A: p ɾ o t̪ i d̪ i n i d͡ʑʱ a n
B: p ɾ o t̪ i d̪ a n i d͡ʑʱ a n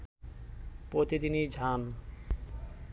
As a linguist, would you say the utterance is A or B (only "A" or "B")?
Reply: A